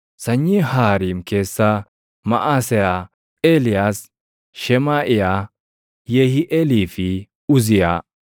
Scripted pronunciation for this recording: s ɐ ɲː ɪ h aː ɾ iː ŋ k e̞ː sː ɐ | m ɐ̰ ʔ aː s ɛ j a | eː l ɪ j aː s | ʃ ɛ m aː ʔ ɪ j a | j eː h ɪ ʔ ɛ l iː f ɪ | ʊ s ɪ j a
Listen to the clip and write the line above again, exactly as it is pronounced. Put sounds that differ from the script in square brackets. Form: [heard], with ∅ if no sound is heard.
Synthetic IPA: s ɐ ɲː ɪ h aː ɾ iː [m] k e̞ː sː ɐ | m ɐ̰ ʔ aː s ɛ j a | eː l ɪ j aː s | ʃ ɛ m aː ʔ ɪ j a | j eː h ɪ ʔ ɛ l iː f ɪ | ʊ [z] ɪ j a